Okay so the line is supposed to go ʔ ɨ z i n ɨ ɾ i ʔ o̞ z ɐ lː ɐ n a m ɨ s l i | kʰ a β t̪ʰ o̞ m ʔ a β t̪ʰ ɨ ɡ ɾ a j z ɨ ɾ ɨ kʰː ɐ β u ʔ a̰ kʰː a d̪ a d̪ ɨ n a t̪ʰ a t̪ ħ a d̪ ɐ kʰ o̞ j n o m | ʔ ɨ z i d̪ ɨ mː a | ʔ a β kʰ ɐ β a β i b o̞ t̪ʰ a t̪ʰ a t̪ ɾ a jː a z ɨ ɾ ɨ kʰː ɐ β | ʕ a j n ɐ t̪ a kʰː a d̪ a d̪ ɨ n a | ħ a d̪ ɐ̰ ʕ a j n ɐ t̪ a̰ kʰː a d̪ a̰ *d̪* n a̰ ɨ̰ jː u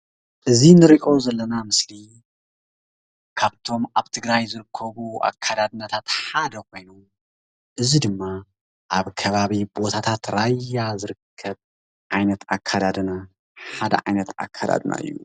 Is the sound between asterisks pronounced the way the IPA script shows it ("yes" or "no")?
yes